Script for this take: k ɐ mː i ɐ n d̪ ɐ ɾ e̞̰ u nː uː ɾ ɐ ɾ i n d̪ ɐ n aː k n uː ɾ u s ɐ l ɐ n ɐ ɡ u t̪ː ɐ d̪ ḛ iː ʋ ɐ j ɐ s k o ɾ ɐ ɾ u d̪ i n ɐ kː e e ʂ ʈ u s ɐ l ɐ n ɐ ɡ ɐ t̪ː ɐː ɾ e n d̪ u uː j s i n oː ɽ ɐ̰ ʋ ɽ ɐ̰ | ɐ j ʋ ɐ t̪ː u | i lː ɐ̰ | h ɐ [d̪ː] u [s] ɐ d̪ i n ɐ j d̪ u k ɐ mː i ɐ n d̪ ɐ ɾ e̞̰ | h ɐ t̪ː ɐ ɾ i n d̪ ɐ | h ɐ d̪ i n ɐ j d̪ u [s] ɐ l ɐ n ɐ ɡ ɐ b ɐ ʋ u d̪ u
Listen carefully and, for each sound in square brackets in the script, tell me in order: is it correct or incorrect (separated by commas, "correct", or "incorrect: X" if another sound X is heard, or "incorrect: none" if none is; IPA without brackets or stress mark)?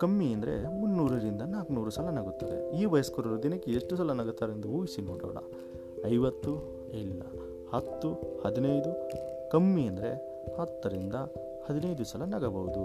incorrect: t̪ː, incorrect: h, correct